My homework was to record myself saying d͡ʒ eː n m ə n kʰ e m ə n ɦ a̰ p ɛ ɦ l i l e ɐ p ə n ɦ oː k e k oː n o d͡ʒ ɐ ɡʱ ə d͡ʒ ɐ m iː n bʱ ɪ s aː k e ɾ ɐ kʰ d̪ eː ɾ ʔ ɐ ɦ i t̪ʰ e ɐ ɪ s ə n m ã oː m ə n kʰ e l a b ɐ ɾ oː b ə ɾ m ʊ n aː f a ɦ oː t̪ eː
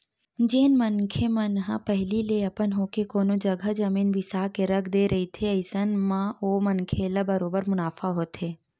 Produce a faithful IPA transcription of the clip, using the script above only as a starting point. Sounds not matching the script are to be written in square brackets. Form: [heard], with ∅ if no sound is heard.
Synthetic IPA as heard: d͡ʒ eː n m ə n kʰ e m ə n ɦ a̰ p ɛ ɦ l i l e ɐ p ə n ɦ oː k e k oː n o d͡ʒ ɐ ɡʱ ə d͡ʒ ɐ m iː n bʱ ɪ s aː k e ɾ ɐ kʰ d̪ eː ɾ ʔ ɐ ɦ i t̪ʰ e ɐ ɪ s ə n m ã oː m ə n kʰ e l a b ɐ ɾ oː b ə ɾ m ʊ n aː f a ɦ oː t̪ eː